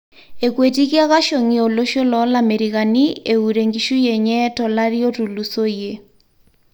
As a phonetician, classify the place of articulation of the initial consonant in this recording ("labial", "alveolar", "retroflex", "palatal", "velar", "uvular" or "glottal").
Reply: velar